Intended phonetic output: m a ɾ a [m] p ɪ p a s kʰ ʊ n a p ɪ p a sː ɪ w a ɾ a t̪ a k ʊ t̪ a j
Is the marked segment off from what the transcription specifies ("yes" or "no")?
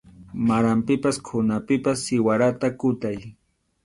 no